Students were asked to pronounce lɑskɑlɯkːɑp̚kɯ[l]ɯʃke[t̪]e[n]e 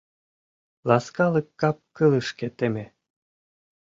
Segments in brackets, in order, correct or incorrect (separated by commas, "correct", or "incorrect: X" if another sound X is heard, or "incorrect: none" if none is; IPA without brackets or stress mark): correct, correct, incorrect: m